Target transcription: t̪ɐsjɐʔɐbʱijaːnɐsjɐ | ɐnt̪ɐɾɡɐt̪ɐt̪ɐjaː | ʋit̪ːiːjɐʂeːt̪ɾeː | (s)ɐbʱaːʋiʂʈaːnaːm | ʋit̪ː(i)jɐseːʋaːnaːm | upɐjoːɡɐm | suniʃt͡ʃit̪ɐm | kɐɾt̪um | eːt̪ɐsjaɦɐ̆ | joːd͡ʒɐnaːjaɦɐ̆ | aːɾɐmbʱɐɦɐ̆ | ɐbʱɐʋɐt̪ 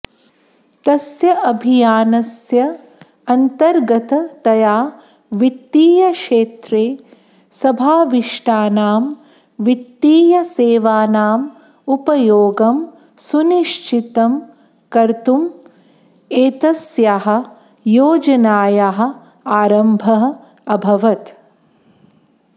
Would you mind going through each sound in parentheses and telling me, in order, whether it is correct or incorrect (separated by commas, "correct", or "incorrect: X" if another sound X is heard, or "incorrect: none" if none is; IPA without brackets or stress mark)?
correct, incorrect: iː